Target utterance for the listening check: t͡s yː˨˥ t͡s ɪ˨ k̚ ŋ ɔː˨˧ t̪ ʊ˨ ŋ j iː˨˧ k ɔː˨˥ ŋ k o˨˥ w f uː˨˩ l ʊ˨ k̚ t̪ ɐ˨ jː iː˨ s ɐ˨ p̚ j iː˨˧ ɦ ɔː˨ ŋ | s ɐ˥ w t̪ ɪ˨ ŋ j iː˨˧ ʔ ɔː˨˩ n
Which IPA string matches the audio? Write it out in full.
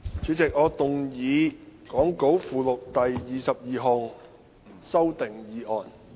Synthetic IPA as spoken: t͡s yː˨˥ t͡s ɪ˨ k̚ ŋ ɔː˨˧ t̪ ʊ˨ ŋ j iː˨˧ k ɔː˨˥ ŋ k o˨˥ w f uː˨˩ l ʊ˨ k̚ t̪ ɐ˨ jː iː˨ s ɐ˨ p̚ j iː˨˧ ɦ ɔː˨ ŋ | s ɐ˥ w t̪ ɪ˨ ŋ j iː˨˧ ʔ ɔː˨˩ n